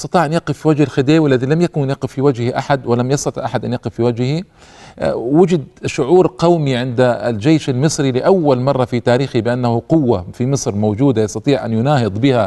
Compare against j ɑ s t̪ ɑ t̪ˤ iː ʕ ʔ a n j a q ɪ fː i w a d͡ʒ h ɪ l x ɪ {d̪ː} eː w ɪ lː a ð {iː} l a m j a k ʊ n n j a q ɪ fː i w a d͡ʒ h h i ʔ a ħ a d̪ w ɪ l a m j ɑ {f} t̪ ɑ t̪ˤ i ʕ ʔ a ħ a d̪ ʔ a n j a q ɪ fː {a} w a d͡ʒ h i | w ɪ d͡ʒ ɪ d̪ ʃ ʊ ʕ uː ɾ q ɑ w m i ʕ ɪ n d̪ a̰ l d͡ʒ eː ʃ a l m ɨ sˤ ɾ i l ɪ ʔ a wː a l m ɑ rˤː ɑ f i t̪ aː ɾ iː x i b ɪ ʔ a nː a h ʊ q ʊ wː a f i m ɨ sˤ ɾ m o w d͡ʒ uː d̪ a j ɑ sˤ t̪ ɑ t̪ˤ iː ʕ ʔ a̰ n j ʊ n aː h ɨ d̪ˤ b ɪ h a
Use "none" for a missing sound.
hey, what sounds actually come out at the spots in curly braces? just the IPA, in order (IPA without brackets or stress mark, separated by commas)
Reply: d̪, i, s, i